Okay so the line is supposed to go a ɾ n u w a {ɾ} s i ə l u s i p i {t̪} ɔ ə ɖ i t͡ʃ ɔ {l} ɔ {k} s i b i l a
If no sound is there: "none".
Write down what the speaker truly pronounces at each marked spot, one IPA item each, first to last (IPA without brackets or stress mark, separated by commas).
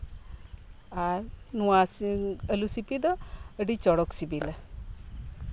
none, d̪, ɽ, k